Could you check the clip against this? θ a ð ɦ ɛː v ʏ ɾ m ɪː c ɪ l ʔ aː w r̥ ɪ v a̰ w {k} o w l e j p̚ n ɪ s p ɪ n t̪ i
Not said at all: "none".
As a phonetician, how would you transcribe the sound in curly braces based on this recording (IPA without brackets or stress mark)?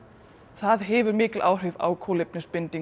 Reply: kʰ